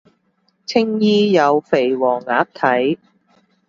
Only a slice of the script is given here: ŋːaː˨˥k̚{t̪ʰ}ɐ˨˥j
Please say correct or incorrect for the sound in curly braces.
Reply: correct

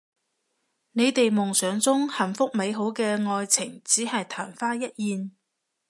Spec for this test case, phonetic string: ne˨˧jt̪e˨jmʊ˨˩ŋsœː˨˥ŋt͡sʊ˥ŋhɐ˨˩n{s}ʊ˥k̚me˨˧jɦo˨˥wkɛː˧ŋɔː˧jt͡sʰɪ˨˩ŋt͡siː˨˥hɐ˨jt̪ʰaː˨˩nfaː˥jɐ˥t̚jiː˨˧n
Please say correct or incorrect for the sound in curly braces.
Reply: incorrect: f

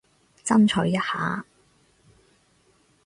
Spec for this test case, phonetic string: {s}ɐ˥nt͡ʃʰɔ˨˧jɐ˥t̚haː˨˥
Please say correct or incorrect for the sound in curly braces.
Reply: incorrect: t͡s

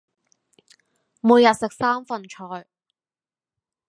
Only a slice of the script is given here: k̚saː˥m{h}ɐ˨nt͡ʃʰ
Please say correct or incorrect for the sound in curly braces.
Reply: incorrect: f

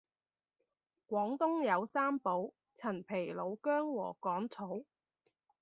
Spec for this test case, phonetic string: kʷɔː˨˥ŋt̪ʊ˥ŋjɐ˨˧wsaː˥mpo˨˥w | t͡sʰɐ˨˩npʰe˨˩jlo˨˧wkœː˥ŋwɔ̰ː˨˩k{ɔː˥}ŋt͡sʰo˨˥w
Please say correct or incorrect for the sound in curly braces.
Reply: incorrect: ɔː˨˥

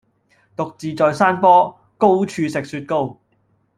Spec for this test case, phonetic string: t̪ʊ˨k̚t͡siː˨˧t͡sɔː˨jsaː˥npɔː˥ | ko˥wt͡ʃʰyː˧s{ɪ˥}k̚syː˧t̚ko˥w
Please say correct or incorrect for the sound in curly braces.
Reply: incorrect: ɪ˨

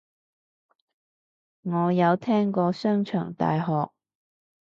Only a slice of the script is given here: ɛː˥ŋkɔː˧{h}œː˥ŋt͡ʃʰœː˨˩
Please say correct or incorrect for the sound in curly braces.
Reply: incorrect: s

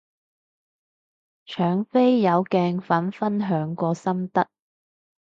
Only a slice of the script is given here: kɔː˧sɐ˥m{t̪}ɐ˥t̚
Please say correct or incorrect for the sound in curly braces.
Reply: correct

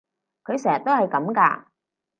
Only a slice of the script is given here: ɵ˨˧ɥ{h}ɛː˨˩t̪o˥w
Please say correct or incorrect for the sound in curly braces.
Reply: incorrect: s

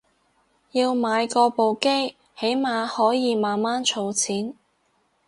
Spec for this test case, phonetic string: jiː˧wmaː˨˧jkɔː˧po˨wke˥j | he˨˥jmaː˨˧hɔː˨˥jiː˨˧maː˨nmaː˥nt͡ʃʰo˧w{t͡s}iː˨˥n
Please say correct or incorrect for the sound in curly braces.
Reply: incorrect: t͡sʰ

